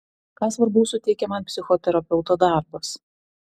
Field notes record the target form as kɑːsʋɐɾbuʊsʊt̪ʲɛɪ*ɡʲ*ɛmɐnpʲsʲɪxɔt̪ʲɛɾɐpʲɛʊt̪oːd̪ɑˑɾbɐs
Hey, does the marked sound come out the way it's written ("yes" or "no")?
no